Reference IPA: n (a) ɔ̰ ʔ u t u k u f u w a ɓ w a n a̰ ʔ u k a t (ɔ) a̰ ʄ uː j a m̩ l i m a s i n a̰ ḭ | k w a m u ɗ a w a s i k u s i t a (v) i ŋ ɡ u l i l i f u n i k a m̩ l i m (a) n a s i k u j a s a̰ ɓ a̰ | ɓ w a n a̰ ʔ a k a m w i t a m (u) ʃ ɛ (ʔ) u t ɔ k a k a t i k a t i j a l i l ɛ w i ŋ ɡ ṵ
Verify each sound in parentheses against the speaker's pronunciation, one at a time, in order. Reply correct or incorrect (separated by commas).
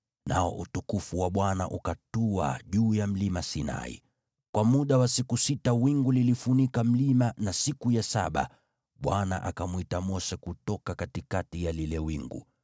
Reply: correct, incorrect, incorrect, correct, incorrect, incorrect